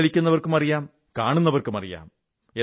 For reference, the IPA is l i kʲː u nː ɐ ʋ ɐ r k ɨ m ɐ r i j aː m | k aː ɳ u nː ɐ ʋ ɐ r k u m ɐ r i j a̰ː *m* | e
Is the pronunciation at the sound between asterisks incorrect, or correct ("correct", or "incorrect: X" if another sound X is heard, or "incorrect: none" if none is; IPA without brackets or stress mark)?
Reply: correct